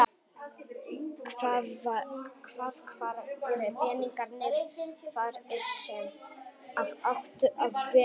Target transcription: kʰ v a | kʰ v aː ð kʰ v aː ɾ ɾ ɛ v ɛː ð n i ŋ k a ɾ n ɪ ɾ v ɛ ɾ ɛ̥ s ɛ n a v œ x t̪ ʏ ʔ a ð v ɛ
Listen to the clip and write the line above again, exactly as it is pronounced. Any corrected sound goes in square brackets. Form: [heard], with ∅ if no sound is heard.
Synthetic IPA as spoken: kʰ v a | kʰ v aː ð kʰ v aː ɾ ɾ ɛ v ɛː [∅] n i ŋ k a ɾ n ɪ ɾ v [a] ɾ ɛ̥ s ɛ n a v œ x t̪ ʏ ʔ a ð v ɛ